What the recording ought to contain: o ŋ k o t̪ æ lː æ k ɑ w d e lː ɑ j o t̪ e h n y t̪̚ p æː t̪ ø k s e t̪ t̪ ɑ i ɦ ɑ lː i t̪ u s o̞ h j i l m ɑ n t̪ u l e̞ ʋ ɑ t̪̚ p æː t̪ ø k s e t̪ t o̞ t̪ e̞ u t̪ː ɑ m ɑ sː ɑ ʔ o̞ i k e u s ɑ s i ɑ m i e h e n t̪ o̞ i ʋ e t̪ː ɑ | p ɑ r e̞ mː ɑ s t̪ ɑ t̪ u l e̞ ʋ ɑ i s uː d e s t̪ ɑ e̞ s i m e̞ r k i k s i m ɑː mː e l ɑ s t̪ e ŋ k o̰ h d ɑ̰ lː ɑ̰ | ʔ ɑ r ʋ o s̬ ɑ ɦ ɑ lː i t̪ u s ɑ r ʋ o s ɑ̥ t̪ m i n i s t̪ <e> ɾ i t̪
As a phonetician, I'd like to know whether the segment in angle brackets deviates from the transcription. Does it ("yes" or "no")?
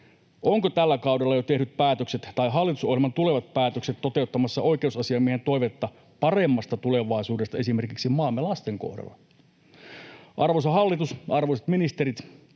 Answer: no